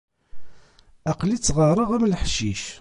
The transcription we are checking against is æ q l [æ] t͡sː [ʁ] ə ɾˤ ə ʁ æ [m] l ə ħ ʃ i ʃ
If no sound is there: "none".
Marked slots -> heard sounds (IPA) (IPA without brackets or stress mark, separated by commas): i, ʁ, m